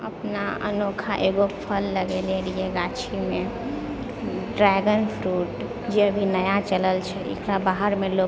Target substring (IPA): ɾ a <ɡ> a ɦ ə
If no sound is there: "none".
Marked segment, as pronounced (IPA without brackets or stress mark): b